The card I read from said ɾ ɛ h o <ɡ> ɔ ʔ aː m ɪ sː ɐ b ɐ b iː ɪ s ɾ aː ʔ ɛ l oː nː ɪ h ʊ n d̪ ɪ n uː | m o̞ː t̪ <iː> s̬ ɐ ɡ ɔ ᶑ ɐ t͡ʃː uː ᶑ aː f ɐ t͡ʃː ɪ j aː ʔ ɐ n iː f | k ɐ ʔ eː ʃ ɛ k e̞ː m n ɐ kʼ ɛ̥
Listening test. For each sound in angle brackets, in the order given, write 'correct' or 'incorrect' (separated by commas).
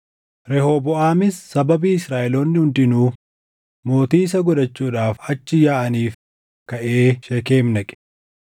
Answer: incorrect, correct